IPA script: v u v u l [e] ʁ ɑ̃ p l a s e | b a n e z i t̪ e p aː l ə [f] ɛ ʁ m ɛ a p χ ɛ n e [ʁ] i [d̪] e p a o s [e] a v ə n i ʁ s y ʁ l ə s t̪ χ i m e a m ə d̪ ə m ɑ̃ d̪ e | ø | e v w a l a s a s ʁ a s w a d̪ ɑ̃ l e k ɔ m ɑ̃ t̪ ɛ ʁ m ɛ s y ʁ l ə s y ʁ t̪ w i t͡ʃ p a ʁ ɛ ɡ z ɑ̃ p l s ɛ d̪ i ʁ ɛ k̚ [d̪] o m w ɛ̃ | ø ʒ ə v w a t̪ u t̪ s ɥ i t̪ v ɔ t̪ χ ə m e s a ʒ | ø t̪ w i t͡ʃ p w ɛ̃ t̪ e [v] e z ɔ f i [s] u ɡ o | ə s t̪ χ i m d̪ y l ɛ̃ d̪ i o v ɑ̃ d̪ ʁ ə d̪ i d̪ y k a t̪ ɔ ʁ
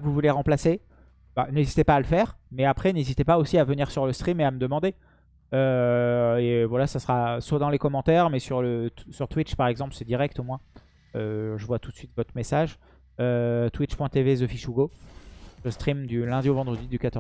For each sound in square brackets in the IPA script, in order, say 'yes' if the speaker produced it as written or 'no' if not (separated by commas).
yes, yes, no, no, no, no, yes, no